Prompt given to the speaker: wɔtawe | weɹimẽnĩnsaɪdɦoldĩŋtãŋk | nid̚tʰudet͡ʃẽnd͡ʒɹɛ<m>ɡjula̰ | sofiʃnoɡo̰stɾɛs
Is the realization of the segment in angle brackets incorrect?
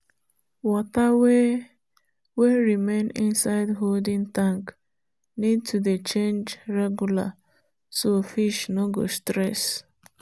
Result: yes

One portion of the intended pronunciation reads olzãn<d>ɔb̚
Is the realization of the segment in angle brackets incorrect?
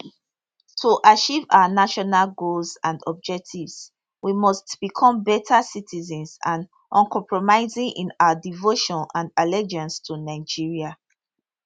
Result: no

